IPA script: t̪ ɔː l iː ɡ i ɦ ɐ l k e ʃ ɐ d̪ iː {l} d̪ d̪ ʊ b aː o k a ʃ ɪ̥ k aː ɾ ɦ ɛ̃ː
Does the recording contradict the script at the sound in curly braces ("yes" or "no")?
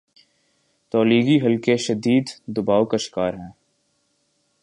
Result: yes